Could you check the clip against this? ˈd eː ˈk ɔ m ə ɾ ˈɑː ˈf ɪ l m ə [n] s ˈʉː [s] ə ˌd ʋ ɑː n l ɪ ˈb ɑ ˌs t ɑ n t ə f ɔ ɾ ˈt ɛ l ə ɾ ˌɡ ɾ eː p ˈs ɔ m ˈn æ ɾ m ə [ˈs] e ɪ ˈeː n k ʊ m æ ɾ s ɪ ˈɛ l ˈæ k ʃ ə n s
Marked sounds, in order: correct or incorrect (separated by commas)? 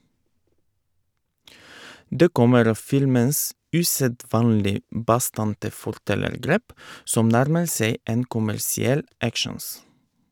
correct, correct, correct